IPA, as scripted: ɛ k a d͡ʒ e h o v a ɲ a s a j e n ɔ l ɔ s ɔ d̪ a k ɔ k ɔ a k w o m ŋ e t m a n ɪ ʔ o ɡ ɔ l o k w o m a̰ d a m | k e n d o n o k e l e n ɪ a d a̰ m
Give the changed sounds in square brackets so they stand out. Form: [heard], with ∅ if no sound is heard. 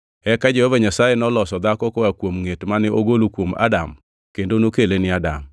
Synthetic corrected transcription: ɛ k a d͡ʒ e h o v a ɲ a s a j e n ɔ l ɔ s ɔ d̪ a k ɔ k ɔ a k w o m ŋ e t m a n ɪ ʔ o ɡ [o] l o k w o m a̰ d a m | k e n d o n o k e l e n ɪ a d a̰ m